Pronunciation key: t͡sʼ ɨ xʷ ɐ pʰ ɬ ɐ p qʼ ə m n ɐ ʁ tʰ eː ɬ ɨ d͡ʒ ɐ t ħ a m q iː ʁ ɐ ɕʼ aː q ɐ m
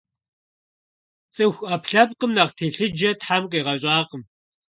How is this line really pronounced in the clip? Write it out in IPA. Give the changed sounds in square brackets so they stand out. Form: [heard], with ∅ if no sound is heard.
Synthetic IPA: t͡sʼ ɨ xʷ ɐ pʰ ɬ ɐ p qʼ ə m n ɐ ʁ tʰ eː ɬ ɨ d͡ʒ ɐ t ħ a m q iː ʁ ɐ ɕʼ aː q [ə] m